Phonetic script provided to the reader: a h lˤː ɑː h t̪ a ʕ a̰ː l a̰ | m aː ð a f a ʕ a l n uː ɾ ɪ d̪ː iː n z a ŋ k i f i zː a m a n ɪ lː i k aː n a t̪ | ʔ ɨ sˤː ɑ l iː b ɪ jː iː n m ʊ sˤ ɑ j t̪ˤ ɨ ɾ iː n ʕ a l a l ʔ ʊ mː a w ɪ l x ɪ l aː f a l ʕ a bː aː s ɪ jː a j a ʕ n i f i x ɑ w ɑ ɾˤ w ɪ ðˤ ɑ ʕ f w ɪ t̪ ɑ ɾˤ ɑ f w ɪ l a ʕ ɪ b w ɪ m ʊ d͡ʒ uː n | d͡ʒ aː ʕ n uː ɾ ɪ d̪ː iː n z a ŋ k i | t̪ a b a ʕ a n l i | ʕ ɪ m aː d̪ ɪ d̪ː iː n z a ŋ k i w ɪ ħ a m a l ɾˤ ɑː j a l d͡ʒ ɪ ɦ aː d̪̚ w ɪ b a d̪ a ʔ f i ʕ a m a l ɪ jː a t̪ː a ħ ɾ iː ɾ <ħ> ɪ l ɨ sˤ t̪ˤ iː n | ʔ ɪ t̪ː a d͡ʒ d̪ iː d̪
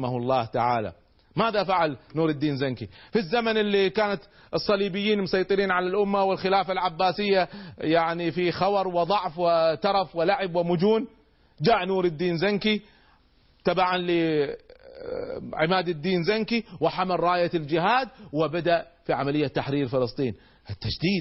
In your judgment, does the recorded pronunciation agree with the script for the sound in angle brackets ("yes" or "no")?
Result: no